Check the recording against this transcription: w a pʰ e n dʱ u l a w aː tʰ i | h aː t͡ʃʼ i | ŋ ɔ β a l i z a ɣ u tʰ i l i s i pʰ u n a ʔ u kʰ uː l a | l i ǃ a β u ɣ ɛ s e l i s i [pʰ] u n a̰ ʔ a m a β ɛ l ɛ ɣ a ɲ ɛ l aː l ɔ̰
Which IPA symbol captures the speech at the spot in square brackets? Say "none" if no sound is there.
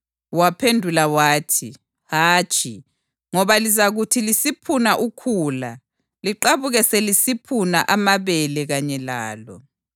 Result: pʰ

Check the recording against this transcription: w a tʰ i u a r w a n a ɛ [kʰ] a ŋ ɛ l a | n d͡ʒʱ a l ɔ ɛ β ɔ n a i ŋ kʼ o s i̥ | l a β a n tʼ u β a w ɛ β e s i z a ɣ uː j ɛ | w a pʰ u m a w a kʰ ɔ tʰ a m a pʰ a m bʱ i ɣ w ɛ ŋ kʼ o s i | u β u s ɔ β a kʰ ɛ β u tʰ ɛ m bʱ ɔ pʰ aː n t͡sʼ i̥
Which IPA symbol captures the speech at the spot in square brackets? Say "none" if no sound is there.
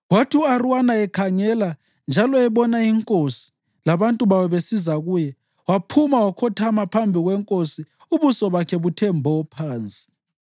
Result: kʰ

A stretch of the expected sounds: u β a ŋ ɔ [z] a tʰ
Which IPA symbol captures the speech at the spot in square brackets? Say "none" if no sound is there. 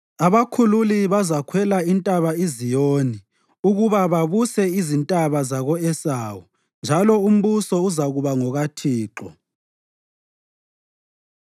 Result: ɣ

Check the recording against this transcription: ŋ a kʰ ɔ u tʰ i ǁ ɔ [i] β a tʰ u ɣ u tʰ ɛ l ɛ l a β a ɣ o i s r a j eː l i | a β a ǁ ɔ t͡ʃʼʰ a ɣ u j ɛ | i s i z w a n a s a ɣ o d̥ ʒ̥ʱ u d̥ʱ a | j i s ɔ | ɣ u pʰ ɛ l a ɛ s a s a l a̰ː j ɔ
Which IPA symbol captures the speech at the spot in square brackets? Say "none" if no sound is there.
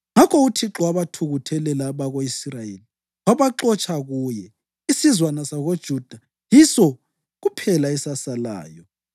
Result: a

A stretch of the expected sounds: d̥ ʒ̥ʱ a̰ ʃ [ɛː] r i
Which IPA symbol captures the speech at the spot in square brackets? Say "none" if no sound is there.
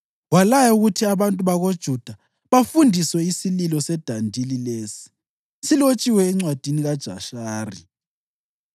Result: aː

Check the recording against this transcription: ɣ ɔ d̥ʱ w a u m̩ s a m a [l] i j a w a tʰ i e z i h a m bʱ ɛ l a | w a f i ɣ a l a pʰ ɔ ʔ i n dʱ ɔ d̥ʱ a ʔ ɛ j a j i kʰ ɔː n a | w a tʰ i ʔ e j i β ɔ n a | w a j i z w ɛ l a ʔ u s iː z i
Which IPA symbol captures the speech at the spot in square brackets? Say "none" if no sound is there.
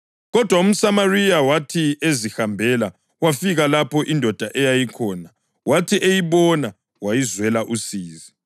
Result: r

